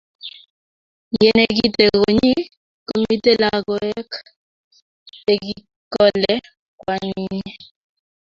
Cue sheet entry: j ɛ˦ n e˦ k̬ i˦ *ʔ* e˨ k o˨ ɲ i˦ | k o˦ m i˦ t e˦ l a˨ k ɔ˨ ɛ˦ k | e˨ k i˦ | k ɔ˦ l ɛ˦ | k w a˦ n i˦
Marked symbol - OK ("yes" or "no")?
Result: no